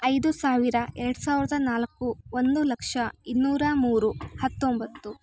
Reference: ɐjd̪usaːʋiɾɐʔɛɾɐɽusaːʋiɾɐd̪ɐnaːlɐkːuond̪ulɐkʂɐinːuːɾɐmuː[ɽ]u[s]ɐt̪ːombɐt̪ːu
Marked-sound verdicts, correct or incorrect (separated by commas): incorrect, incorrect